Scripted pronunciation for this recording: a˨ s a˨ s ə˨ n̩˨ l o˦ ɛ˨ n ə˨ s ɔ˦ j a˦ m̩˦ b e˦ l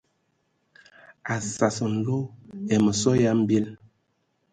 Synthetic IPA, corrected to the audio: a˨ s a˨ s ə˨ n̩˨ l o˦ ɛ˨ m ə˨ s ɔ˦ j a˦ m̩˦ b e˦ l